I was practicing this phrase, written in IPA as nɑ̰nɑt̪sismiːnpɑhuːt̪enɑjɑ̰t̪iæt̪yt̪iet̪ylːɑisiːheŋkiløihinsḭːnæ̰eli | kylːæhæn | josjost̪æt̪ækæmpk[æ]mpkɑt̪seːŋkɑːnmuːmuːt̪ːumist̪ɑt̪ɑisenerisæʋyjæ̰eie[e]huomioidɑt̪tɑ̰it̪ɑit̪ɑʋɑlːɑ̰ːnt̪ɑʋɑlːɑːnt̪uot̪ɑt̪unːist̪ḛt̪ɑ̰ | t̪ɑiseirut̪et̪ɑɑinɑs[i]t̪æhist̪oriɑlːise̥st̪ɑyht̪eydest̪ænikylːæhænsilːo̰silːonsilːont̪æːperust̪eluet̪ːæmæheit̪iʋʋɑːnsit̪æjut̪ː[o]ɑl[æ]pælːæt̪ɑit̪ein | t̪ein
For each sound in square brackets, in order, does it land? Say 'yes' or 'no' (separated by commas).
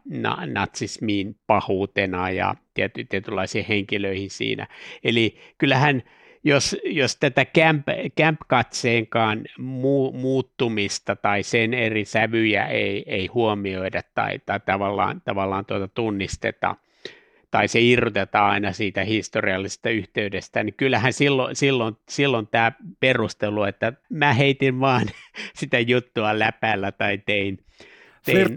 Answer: yes, no, no, no, yes